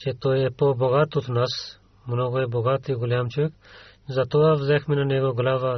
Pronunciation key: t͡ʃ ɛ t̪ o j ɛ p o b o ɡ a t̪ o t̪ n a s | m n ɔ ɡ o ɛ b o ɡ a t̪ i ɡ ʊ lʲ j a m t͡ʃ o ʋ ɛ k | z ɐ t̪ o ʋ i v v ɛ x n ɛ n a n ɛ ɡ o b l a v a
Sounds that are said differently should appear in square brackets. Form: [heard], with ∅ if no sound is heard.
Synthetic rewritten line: t͡ʃ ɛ t̪ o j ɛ p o b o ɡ a t̪ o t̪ n a s | m n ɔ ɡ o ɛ b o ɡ a t̪ i ɡ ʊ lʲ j a m t͡ʃ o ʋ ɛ k | z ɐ t̪ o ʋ [a] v [z] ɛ x [m] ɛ n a n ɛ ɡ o [ɡ] l a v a